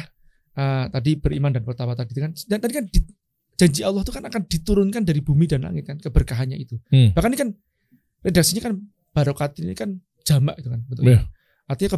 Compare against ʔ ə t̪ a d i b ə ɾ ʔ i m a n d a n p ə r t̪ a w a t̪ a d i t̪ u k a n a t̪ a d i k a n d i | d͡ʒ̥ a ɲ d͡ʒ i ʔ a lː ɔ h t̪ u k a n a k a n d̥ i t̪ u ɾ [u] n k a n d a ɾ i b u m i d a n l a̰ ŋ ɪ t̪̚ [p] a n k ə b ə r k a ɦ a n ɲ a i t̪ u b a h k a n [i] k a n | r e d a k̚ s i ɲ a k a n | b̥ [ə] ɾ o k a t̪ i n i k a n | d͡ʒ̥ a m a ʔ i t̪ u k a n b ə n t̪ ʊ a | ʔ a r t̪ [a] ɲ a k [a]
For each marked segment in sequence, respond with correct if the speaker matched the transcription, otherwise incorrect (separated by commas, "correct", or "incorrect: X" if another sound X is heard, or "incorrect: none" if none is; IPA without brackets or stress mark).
incorrect: ʊ, incorrect: k, correct, incorrect: a, incorrect: i, incorrect: ə